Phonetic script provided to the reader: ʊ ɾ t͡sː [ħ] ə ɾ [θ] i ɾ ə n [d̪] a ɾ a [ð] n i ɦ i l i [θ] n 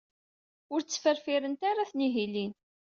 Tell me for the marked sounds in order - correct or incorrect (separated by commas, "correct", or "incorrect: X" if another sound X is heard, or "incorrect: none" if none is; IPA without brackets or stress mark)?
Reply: incorrect: f, incorrect: f, incorrect: t̪, incorrect: θ, incorrect: none